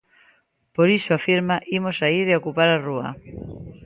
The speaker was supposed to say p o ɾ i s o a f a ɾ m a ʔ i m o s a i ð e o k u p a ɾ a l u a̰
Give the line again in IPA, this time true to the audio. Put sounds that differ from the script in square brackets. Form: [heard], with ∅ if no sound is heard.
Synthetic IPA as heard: p o ɾ i s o a f [i] ɾ m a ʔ i m o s a i ð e o k u p a ɾ a [r] u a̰